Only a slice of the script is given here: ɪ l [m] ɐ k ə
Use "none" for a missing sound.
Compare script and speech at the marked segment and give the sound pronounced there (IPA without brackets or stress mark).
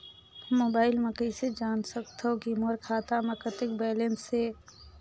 m